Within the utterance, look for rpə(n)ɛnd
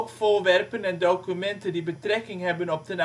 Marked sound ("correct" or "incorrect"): correct